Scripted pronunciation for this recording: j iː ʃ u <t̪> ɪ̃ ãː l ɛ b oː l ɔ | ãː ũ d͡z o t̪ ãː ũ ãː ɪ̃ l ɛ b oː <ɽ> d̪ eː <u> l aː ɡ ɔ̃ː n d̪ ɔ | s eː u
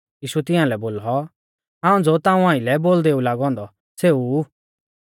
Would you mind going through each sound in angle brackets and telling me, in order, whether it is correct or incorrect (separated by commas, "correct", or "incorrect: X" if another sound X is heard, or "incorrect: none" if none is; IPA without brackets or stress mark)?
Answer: correct, incorrect: l, correct